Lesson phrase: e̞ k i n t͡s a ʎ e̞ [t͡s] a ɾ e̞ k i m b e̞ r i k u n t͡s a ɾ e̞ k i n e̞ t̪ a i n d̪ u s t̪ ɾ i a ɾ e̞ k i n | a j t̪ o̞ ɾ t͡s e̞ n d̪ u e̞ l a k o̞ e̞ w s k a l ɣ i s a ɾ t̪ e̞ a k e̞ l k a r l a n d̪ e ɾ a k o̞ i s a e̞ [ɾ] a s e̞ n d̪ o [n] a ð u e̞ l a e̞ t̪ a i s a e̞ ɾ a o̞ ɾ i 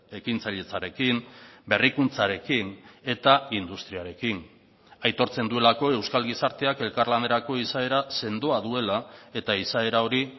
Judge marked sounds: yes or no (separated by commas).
yes, yes, no